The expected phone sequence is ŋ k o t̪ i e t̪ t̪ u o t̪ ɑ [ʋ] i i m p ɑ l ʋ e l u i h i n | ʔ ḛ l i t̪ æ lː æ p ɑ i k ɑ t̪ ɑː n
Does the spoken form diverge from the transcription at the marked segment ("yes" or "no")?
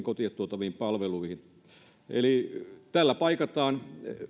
no